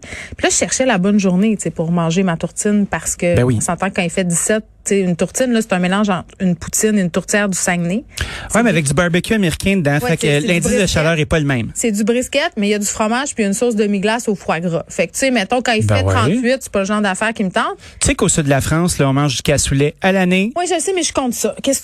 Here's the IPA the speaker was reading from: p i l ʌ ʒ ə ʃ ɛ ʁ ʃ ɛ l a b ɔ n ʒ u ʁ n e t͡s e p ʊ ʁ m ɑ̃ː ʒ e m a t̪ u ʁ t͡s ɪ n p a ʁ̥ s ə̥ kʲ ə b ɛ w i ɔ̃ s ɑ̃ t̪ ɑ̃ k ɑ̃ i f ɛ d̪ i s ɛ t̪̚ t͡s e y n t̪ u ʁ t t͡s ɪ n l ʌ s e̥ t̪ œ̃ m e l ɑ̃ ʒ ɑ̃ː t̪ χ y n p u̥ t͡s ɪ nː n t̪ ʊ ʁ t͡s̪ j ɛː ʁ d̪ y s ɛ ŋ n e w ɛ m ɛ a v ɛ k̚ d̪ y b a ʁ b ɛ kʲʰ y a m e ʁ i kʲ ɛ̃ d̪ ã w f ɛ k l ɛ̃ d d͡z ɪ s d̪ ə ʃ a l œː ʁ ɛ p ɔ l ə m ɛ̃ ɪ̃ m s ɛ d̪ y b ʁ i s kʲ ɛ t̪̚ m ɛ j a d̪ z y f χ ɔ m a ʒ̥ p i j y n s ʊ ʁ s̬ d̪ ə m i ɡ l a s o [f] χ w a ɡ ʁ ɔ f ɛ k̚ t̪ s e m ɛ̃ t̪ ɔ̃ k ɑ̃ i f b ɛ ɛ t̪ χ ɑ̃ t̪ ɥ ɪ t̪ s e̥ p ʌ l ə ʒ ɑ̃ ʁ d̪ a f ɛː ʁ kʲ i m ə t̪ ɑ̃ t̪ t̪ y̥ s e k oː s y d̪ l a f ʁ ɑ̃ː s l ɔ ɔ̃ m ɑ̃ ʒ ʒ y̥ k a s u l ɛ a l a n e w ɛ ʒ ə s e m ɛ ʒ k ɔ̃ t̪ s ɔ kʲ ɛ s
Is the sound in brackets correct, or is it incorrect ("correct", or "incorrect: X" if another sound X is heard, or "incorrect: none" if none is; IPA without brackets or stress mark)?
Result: correct